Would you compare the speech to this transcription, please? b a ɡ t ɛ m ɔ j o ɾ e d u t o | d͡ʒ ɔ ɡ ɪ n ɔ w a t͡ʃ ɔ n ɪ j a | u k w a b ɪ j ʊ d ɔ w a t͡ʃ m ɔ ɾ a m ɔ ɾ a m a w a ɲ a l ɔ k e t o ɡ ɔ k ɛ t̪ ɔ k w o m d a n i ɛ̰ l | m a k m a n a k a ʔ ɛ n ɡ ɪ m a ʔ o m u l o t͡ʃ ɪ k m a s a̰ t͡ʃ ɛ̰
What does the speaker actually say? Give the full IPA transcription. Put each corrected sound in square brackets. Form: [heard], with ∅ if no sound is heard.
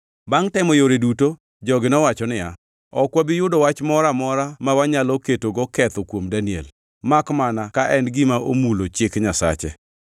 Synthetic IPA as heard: b a [ŋ] t ɛ m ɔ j o ɾ e d u t o | d͡ʒ ɔ ɡ ɪ n ɔ w a t͡ʃ ɔ n ɪ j a | [ɔ] k w a b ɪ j ʊ d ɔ w a t͡ʃ m ɔ ɾ a m ɔ ɾ a m a w a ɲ a l ɔ k e t o ɡ ɔ k ɛ t̪ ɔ k w o m d a n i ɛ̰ l | m a k m a n a k a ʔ ɛ n ɡ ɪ m a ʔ o m u l o t͡ʃ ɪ k [ɲ] a s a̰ t͡ʃ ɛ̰